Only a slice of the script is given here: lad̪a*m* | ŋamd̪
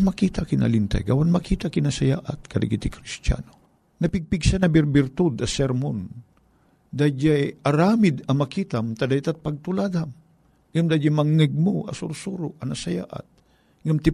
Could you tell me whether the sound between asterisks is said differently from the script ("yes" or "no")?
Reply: no